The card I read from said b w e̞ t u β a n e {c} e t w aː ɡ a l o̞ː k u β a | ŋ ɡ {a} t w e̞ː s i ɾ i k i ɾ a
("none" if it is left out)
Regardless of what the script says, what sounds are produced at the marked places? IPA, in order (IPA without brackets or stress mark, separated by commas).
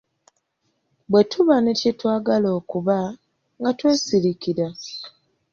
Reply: c, a